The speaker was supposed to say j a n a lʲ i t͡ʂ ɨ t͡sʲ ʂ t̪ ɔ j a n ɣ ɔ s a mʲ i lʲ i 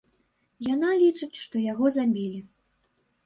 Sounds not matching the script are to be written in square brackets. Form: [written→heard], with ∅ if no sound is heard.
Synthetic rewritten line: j a n a lʲ i t͡ʂ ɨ t͡sʲ ʂ t̪ ɔ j a [n→∅] ɣ ɔ [s→z] a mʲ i lʲ i

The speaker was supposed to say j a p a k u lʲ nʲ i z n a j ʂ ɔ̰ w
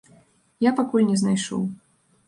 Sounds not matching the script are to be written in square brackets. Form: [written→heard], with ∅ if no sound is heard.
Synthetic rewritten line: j a p a k u lʲ nʲ [i→ɛ] z n a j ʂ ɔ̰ w

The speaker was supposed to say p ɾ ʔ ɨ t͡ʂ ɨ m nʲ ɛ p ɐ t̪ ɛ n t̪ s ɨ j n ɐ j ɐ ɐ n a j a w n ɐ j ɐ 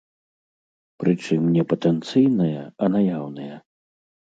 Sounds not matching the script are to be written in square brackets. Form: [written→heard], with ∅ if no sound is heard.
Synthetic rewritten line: p ɾ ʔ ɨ t͡ʂ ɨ m nʲ ɛ p ɐ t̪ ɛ n t̪ s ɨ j n ɐ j ɐ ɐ n a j a w n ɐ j ɐ

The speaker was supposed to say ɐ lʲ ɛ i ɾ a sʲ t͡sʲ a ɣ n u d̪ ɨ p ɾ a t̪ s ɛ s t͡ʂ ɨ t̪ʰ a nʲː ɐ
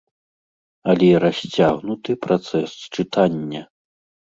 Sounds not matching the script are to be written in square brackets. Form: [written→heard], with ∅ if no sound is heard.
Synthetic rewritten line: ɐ lʲ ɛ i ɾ a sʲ t͡sʲ a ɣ n u [d̪→t̪] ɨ p ɾ a t̪ s ɛ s t͡ʂ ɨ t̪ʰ a nʲː ɐ

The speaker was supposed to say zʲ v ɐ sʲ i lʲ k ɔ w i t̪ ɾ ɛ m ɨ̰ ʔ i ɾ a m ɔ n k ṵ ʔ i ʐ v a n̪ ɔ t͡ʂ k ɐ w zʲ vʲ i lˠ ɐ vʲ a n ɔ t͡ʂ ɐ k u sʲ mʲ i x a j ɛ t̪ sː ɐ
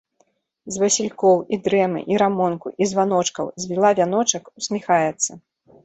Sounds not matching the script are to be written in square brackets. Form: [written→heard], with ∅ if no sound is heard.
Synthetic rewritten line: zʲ v ɐ sʲ i lʲ k ɔ w i [t̪→d̪] ɾ ɛ m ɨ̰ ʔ i ɾ a m ɔ n k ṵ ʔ i [ʐ→z] v a n̪ ɔ t͡ʂ k ɐ w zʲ vʲ i lˠ [ɐ→a] vʲ a n ɔ t͡ʂ ɐ k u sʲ mʲ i x a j ɛ t̪ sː ɐ

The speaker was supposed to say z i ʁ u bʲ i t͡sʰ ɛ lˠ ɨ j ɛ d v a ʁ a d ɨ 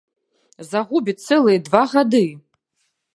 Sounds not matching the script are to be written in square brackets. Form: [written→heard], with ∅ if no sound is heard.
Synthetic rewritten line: z [i→a] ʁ u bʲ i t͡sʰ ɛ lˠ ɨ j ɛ d v a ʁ a d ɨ

